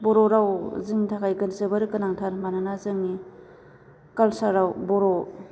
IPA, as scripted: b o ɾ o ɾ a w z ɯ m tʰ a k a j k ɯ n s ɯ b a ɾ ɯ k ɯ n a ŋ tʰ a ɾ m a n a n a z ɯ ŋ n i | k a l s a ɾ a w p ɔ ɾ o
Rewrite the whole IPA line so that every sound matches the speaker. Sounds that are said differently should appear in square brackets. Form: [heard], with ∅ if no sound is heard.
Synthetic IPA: b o ɾ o ɾ a w z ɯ [ŋ] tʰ a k a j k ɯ n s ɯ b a ɾ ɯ k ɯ n a ŋ tʰ a ɾ m a n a n a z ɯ ŋ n i | k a l s a ɾ a w [b] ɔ ɾ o